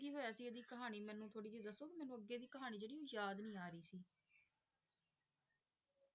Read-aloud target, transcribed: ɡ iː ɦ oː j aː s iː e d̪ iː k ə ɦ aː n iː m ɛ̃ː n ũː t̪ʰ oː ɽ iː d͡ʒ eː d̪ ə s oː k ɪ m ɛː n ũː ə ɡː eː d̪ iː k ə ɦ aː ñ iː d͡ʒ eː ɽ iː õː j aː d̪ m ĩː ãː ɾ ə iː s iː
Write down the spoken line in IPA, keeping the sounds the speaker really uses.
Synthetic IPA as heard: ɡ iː ɦ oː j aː s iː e d̪ iː k ə ɦ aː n iː m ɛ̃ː n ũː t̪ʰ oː ɽ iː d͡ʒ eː d̪ ə s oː k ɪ m ɛː n ũː ə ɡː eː d̪ iː k ə ɦ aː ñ iː d͡ʒ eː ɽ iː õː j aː d̪ n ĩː aː ɾ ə iː s iː